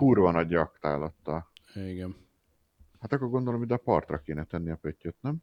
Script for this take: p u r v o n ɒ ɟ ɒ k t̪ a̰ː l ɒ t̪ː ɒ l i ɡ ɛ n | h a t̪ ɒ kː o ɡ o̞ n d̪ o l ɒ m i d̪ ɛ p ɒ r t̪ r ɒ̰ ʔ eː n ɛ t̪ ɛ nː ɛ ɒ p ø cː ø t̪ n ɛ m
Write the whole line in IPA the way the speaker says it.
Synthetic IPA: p u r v ɒ n ɒ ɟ ɒ k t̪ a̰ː l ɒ t̪ː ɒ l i ɡ ɛ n | h a t̪ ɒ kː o ɡ o̞ n d̪ o l o m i d̪ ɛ p ɒ r t̪ r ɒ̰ k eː n ɛ t̪ ɛ nː i ɒ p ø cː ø t̪ n ɛ m